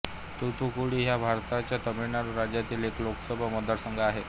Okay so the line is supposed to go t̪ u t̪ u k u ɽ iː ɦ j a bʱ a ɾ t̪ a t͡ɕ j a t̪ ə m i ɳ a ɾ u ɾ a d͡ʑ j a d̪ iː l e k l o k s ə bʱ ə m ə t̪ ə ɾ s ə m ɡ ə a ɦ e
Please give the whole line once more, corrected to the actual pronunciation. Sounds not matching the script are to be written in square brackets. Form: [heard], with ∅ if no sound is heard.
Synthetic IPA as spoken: t̪ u t̪ u k u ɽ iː ɦ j a bʱ a ɾ t̪ a t͡ɕ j a t̪ ə m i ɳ a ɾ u ɾ a d͡ʑ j a [t̪] iː l e k l o k s ə bʱ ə m ə [d̪] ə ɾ s ə [ŋ] ɡ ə a ɦ e